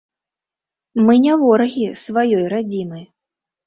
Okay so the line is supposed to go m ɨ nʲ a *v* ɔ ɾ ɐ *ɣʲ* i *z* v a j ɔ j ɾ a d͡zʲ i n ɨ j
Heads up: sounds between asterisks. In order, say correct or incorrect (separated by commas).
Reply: correct, correct, incorrect